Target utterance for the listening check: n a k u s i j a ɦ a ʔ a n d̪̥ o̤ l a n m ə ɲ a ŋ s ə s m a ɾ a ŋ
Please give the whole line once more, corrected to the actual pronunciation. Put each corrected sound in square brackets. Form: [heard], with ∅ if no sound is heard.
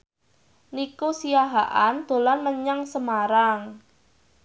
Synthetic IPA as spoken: n [i] k u s i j a ɦ a ʔ a n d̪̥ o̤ l a n m ə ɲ a ŋ s ə [∅] m a ɾ a ŋ